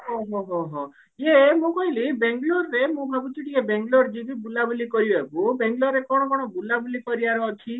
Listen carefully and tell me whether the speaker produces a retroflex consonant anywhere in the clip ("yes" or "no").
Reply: yes